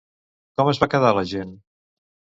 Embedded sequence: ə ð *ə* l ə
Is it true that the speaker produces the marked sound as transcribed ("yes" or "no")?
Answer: no